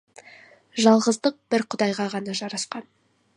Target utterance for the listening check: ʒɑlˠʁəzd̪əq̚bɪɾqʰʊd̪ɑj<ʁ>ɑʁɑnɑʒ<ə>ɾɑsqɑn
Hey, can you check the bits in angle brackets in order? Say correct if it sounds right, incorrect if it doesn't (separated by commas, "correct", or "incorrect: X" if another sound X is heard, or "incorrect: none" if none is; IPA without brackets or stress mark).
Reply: correct, incorrect: ɑ